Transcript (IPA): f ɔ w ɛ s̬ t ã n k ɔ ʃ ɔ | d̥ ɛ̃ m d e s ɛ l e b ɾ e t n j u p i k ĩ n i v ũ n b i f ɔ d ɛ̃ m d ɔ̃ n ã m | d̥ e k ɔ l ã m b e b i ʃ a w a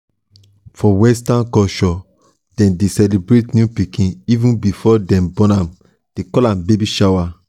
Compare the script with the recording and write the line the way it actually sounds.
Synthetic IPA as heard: f ɔ w ɛ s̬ t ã n k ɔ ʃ ɔ | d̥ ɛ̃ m d e s ɛ l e b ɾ e t n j u p i k ĩ n i v ũ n b i f ɔ d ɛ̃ m b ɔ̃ n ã m | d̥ e k ɔ l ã m b e b i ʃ a w a